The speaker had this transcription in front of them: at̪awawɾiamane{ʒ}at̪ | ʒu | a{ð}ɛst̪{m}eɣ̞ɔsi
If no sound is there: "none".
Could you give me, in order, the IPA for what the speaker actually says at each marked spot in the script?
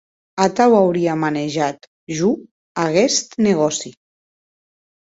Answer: ʒ, ɣ, n

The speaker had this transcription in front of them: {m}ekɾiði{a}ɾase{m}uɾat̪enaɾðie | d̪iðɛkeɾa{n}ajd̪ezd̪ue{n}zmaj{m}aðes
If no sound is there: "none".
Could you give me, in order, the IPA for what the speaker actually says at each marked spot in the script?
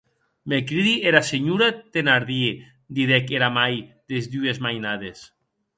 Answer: m, e, ɲ, m, none, n

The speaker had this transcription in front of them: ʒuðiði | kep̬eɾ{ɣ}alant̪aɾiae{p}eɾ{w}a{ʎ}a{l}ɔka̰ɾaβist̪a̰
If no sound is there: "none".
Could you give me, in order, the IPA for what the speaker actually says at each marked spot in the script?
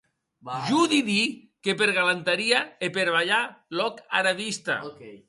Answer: ɣ, p, β, ʎ, l

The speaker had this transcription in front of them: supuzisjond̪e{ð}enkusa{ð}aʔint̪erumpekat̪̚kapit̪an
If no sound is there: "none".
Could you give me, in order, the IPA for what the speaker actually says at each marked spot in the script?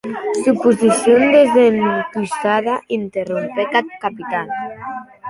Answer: z, ð

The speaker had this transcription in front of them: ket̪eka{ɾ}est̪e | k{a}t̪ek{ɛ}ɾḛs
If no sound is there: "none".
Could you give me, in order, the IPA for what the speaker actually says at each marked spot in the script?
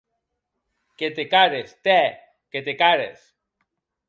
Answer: ɾ, e, a

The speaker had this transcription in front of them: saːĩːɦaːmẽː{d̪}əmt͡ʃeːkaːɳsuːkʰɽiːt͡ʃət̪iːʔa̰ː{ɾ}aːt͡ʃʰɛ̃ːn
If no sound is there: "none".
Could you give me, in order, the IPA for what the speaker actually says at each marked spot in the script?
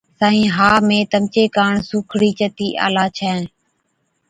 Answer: t̪, l

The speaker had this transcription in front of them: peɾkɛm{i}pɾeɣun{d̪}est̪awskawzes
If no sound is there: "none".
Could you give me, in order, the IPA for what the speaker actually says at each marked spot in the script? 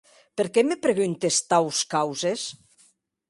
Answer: e, t̪

